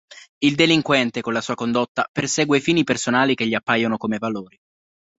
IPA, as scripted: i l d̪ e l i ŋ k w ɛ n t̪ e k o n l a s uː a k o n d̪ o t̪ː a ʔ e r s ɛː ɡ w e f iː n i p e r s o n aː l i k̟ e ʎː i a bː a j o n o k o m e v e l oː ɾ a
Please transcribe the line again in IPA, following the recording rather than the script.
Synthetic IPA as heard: i l d̪ e l i ŋ k w ɛ n t̪ e k o n l a s uː a k o n d̪ o t̪ː a p e r s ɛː ɡ w e f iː n i p e r s o n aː l i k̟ e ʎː i a pː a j o n o k o m e v a l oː ɾ i